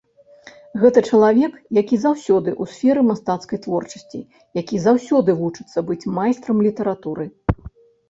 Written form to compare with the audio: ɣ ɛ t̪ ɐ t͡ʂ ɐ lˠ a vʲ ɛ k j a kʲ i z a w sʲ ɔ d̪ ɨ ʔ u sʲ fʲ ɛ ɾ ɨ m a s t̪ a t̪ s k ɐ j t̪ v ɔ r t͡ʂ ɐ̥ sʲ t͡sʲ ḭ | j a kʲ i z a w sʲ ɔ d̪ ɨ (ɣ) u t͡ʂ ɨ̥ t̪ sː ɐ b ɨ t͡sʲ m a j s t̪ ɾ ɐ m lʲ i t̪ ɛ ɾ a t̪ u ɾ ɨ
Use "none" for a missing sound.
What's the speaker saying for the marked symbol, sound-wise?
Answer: v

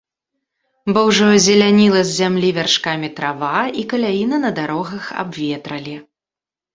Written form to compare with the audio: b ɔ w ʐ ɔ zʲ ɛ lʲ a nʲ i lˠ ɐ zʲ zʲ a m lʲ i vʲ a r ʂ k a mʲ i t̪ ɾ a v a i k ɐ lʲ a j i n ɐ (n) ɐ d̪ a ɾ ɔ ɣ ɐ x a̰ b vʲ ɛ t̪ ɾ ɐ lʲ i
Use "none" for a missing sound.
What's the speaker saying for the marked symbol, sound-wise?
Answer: n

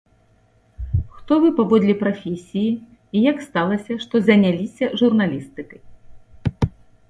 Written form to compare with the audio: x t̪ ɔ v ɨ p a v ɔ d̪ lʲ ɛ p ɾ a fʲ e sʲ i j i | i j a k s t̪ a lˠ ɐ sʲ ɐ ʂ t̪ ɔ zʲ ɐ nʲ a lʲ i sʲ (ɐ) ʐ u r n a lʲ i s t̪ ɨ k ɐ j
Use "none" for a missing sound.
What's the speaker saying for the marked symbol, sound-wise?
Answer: ɐ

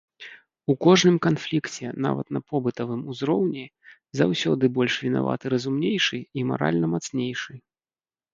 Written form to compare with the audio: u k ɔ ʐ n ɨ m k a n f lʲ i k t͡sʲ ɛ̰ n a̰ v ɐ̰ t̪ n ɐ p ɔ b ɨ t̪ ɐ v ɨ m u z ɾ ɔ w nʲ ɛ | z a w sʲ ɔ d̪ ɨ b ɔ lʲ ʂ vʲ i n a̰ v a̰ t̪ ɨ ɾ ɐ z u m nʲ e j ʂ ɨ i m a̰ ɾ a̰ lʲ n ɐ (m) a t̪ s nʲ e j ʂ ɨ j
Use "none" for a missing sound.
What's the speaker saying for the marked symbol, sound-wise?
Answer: m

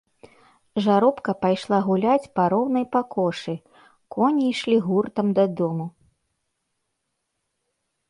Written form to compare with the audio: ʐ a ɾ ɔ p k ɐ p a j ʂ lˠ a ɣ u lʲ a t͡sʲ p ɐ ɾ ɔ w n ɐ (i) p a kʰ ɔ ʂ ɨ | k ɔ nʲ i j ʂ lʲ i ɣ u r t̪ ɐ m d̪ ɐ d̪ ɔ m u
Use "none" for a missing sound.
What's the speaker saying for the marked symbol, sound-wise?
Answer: j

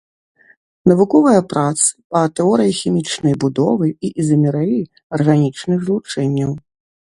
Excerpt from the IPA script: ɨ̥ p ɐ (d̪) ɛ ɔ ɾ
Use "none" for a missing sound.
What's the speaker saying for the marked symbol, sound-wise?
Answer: t̪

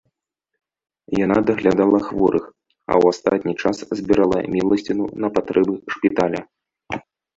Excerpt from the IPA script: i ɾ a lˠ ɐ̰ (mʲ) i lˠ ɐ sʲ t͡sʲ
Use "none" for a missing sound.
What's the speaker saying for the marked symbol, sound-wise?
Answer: mʲ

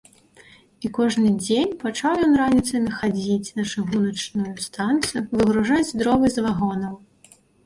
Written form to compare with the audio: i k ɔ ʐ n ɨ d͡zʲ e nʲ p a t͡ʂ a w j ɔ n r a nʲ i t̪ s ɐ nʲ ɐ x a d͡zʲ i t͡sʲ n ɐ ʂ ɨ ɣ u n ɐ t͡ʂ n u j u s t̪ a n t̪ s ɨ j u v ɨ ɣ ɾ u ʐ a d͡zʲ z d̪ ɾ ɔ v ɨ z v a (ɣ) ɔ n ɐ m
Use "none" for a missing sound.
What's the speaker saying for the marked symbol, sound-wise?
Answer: ɣ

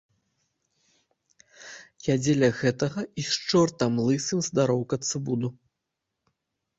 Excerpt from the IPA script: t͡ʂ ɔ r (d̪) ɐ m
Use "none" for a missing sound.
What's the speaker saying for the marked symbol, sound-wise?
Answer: t̪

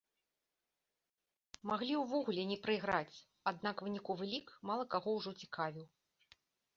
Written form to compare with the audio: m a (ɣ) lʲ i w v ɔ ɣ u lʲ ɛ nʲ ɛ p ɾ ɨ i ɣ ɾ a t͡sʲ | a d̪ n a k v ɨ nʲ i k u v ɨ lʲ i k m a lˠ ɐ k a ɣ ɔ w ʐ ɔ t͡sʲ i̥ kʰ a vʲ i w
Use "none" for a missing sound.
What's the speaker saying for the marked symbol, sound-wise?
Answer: ɣ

